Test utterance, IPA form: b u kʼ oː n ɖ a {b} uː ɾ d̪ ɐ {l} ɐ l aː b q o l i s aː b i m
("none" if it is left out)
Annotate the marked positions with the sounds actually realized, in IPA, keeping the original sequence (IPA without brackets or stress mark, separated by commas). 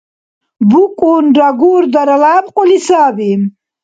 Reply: ɡ, ɾ